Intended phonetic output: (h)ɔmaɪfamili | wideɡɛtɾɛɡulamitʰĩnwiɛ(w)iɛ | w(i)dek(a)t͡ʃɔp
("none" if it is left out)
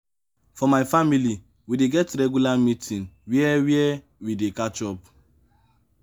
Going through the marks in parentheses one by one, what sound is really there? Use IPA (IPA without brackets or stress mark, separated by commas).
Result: f, w, i, a